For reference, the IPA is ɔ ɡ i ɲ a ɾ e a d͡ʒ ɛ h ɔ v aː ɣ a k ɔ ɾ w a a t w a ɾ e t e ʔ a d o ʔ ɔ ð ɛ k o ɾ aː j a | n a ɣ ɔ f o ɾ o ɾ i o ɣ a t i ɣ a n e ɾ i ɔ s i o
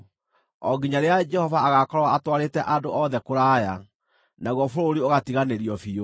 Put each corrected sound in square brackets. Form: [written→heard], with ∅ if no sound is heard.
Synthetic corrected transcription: ɔ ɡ i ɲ a ɾ e a d͡ʒ ɛ h ɔ v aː ɣ a k ɔ ɾ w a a t w a ɾ e t [e→ɛ] ʔ a d o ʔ ɔ ð ɛ k o ɾ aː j a | n a ɣ ɔ f o ɾ o ɾ i o ɣ a t i ɣ a n e ɾ i ɔ [s→f] i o